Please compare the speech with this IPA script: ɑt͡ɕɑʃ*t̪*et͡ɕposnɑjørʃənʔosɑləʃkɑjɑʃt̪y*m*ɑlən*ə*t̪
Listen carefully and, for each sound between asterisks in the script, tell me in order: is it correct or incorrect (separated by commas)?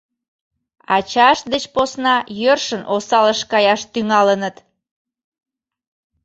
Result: incorrect, incorrect, correct